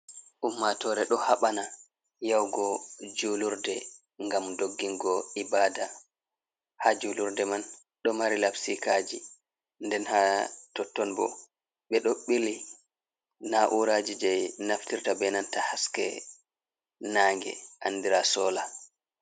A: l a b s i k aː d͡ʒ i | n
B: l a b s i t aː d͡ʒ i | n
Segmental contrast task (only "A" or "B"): A